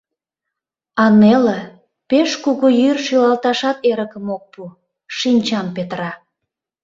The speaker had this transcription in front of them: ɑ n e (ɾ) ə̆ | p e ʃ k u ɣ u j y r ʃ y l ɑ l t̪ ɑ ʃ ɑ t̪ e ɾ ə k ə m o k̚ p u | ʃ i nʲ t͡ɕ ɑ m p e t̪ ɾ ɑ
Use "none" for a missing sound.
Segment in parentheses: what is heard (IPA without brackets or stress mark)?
l